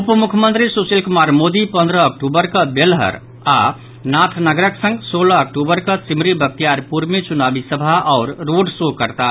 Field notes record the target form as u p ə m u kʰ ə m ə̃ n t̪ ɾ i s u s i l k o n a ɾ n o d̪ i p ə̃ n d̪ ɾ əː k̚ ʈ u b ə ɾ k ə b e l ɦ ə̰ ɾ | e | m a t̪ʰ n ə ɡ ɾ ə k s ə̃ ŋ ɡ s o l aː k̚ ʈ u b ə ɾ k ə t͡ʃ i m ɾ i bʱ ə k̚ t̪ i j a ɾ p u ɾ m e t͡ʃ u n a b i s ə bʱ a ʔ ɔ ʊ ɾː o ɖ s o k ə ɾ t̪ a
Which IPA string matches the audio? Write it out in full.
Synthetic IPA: u p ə m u kʰ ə m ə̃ n t̪ ɾ i s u s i l k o m a ɾ m o d̪ i p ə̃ n d̪ ɾ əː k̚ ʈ u b ə ɾ k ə b e l ɦ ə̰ ɾ | a | n a t̪ʰ n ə ɡ ɾ ə k s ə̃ ŋ ɡ s o l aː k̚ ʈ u b ə ɾ k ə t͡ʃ i m ɾ i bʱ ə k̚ t̪ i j a ɾ p u ɾ m e t͡ʃ u n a b i s ə bʱ a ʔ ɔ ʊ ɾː o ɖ s o k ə ɾ t̪ a